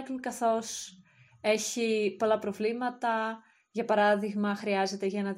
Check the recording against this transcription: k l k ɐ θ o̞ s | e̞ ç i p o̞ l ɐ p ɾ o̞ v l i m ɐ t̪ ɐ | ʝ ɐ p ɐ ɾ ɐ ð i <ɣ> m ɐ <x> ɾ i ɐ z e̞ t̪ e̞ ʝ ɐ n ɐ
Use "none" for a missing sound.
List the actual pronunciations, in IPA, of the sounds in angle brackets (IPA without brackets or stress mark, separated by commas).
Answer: ɣ, x